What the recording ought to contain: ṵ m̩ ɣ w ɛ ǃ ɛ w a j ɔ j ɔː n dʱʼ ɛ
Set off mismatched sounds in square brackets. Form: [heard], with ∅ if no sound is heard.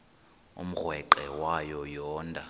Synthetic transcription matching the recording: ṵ m̩ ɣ w ɛ ǃ ɛ w a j ɔ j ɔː n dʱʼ [a]